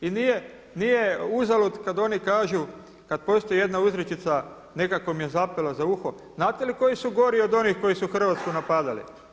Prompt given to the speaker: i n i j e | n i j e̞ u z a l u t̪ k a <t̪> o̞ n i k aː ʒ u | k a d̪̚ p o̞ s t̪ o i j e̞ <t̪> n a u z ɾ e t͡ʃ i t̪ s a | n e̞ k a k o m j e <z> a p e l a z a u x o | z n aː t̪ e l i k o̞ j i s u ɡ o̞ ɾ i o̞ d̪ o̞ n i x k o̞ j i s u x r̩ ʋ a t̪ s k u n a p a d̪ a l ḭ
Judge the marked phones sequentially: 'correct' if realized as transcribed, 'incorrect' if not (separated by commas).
incorrect, incorrect, correct